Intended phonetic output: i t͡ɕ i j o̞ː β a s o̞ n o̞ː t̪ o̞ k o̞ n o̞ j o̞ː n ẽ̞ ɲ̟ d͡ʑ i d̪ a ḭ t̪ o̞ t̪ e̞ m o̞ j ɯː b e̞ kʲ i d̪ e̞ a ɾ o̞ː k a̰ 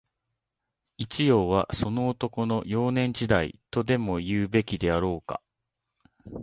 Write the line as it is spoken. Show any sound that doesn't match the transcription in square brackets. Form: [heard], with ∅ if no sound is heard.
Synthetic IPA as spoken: i t͡ɕ i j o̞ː β a s o̞ n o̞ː t̪ o̞ k o̞ n o̞ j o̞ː n ẽ̞ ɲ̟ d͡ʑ i d̪ a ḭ t̪ o̞ [d̪] e̞ m o̞ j ɯː b e̞ kʲ i d̪ e̞ a ɾ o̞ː k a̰